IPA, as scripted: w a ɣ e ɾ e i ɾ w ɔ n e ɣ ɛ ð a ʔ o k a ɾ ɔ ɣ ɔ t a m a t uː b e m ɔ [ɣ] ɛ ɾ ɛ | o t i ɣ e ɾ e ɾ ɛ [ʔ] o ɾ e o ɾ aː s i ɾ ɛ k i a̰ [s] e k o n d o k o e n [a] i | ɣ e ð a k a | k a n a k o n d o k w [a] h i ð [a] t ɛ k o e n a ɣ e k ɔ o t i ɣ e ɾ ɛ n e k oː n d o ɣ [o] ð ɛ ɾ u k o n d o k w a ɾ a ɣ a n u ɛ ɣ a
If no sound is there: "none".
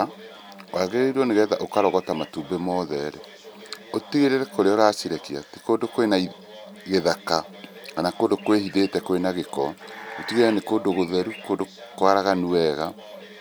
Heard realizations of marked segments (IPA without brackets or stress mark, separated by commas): ð, k, t, a, e, e, o